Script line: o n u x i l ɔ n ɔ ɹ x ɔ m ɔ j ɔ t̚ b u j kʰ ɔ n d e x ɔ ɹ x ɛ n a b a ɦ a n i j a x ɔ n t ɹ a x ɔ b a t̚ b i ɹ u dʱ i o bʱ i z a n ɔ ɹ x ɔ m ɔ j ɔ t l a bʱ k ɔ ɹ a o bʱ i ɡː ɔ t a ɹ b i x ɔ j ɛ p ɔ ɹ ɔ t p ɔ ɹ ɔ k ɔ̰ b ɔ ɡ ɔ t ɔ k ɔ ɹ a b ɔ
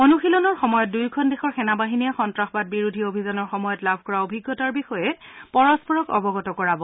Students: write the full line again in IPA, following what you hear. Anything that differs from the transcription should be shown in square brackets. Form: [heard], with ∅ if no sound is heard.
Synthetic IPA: o n u x i l ɔ n ɔ ɹ x ɔ m ɔ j ɔ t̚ [d] u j kʰ ɔ n d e x ɔ ɹ x ɛ n a b a ɦ [i] n i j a x ɔ n t ɹ a x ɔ b a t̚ b i ɹ u dʱ i o bʱ i z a n ɔ ɹ x ɔ m ɔ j ɔ t l a bʱ k ɔ ɹ a o bʱ i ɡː ɔ t a ɹ b i x ɔ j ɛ p ɔ ɹ ɔ [s] p ɔ ɹ ɔ k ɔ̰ b ɔ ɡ ɔ t ɔ k ɔ ɹ a b ɔ